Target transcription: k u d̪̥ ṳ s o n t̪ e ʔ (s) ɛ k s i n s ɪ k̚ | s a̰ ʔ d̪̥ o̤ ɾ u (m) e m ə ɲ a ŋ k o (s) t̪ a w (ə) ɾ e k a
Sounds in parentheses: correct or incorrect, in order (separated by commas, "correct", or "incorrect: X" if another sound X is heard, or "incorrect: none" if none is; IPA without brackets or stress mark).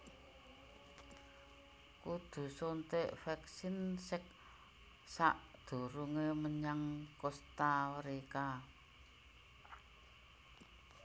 incorrect: f, incorrect: ŋ, correct, correct